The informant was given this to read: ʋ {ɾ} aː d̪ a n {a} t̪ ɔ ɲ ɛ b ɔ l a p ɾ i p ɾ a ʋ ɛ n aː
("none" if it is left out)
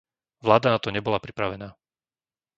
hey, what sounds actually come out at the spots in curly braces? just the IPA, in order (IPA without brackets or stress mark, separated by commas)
l, a